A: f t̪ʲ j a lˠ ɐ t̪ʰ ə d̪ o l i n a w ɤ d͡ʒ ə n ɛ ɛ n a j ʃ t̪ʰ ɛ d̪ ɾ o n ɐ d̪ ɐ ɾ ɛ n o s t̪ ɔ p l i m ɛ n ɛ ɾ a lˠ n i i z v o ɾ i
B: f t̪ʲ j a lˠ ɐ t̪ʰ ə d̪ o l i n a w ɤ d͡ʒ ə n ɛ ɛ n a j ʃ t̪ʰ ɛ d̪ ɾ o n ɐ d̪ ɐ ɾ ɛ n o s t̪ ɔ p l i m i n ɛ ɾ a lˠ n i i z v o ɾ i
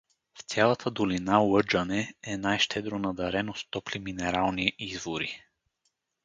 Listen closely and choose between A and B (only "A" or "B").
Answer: B